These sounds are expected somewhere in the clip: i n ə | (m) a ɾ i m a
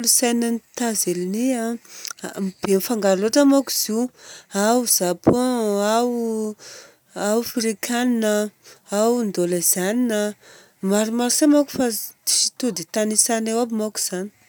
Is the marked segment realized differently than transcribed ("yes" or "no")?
no